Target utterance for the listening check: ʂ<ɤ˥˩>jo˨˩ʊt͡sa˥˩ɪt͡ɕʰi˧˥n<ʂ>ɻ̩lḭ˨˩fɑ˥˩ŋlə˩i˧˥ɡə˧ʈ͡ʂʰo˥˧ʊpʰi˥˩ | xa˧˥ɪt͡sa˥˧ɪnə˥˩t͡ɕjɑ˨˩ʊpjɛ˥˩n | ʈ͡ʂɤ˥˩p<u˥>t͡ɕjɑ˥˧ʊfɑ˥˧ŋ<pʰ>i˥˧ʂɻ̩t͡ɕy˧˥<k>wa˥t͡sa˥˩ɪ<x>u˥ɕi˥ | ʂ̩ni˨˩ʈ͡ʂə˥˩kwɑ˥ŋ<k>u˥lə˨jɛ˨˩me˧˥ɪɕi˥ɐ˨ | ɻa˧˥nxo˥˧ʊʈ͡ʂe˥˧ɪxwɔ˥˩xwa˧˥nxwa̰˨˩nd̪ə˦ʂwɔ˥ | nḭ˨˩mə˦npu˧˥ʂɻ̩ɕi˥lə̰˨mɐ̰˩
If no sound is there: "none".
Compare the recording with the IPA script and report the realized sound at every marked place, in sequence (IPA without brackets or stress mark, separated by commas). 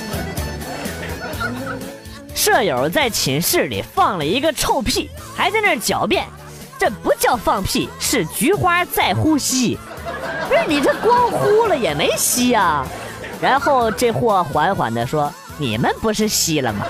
ɤ˥˩, ʂ, u˧˥, pʰ, x, x, x